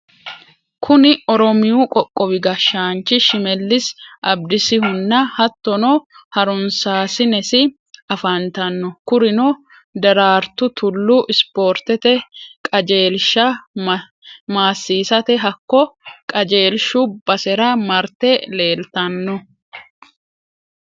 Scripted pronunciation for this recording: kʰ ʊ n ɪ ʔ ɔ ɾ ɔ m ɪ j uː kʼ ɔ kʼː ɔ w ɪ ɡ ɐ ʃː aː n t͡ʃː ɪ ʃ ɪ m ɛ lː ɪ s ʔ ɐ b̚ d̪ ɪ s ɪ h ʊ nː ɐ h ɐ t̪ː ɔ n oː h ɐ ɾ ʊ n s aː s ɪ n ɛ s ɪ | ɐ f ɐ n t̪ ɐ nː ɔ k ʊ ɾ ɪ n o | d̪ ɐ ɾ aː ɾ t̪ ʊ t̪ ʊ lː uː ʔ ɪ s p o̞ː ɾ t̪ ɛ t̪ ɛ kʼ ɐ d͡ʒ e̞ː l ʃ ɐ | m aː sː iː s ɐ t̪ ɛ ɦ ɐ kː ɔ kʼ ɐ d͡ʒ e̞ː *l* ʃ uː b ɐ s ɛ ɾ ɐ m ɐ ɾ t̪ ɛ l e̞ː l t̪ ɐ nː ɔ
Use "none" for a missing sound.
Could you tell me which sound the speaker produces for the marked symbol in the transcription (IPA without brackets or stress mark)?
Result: l